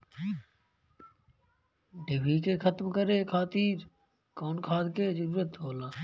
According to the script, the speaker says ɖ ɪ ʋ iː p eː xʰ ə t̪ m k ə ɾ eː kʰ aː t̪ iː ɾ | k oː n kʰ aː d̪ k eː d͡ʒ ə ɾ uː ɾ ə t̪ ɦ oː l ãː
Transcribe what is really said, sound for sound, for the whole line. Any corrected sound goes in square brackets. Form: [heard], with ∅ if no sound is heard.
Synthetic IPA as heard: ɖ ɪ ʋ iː [k] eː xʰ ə t̪ m k ə ɾ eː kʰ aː t̪ iː ɾ | k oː n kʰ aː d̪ k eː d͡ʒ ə ɾ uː ɾ ə t̪ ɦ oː l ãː